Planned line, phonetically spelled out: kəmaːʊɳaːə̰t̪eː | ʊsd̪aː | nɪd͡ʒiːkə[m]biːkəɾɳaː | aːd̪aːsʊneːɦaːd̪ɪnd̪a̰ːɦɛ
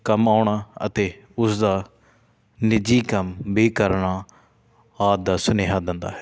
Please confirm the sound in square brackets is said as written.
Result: yes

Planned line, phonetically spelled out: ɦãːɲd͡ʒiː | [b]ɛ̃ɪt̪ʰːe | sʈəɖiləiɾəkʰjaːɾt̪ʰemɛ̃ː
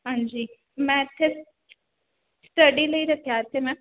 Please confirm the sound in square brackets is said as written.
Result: no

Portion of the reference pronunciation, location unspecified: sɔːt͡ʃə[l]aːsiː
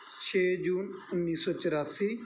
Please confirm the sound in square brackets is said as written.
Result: no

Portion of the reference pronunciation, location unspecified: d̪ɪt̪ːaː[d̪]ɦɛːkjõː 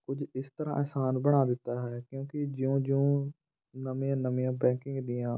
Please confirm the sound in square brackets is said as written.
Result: no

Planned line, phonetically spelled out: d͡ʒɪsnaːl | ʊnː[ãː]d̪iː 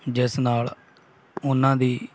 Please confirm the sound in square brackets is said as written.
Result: yes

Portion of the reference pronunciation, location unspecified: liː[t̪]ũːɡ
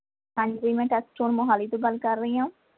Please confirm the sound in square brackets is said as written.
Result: yes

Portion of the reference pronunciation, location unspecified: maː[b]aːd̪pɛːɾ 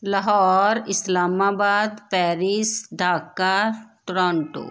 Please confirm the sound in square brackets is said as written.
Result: yes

